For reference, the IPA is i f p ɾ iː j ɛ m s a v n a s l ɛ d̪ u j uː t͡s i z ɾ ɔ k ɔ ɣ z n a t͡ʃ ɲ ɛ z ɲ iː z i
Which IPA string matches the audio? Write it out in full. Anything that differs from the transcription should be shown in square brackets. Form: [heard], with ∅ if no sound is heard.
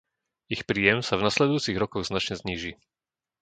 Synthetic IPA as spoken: i [x] p ɾ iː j ɛ m s a v n a s l ɛ d̪ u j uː t͡s i [ɣ] ɾ ɔ k ɔ ɣ z n a t͡ʃ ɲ ɛ z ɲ iː [ʒ] i